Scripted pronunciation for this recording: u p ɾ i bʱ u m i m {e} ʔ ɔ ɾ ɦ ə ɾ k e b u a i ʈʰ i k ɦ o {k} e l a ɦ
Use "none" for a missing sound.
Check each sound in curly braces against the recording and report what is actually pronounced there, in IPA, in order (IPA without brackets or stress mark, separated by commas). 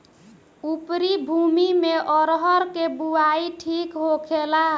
e, kʰ